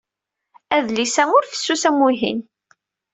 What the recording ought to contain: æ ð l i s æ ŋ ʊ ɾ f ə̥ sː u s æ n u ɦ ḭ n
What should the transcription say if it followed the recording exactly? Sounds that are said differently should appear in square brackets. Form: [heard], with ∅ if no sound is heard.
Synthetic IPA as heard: æ ð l i s æ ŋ ʊ ɾ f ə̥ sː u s æ [m] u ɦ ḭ n